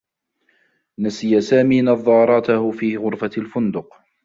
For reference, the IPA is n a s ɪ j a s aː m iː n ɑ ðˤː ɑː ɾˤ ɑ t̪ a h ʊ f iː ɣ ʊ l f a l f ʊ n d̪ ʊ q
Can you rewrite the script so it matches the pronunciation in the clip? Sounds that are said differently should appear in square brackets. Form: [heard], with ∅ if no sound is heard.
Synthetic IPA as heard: n a s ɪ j a s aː m iː n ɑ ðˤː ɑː ɾˤ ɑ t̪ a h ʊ f iː ɣ ʊ [ɾ] f a l f ʊ n d̪ ʊ q